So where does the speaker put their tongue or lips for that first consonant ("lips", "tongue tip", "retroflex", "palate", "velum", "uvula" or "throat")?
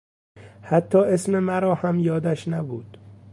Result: throat